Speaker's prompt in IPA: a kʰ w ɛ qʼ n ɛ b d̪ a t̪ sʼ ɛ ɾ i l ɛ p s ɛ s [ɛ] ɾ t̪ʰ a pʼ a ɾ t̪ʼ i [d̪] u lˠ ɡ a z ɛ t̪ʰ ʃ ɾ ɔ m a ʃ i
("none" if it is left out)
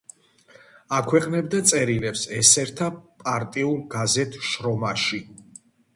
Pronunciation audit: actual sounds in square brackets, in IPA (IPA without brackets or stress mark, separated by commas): ɛ, none